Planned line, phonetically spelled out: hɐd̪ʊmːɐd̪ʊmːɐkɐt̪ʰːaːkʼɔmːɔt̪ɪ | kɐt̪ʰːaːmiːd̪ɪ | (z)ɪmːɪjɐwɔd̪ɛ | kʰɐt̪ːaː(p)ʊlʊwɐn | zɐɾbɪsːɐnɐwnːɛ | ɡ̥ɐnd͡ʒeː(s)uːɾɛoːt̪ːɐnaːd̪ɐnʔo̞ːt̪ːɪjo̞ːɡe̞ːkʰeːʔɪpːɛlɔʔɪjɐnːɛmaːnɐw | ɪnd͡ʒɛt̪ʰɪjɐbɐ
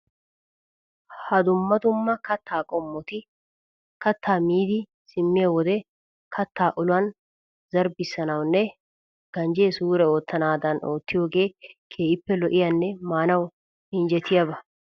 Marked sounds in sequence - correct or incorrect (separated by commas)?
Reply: incorrect, incorrect, correct